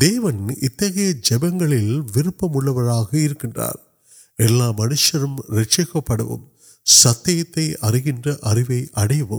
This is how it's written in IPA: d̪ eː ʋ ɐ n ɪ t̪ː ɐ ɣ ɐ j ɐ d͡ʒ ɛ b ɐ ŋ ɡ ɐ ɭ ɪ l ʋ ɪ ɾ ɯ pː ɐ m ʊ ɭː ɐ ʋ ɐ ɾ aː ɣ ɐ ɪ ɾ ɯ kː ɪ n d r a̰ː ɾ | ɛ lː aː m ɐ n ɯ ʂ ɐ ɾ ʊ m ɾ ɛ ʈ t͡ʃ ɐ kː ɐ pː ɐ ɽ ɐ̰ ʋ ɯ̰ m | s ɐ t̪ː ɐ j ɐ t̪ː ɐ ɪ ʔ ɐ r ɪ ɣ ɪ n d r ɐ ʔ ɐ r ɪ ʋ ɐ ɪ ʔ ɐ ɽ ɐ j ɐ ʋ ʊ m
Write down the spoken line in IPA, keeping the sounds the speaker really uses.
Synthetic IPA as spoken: d̪ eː ʋ ɐ n ɪ t̪ː ɐ ɣ ɐ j ɐ d͡ʒ ɛ b ɐ ŋ ɡ ɐ ɭ ɪ l ʋ ɪ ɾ ɯ pː ɐ m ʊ ɭː ɐ ʋ ɐ ɾ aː ɣ ɐ ɪ ɾ ɯ kː ɪ n d r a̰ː ɾ | ɛ lː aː m ɐ n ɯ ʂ ɐ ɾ ɯ m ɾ ɛ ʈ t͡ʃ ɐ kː ɐ pː ɐ ɽ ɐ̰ ʋ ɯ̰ m | s ɐ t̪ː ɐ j ɐ t̪ː ɐ ɪ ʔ ɐ r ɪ ɣ ɪ n d r ɐ ʔ ɐ r ɪ ʋ ɐ ɪ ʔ ɐ ɽ ɐ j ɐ ʋ ɯ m